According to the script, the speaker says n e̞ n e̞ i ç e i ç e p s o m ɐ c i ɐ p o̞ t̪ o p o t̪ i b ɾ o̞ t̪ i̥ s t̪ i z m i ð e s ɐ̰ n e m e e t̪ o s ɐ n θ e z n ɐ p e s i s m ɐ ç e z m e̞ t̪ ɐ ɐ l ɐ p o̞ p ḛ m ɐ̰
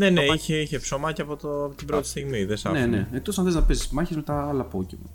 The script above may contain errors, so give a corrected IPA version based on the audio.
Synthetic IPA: n e̞ n e̞ i ç e i ç e p s o m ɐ c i ɐ p o̞ t̪ o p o t̪ i b ɾ o̞ t̪ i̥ s t̪ i ɣ m i ð e s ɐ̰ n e n e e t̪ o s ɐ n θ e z n ɐ p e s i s m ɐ ç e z m e̞ t̪ ɐ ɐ l ɐ p o̞ c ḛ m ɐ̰